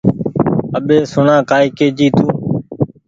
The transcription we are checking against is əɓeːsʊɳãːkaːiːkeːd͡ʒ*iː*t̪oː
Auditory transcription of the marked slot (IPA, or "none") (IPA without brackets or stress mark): iː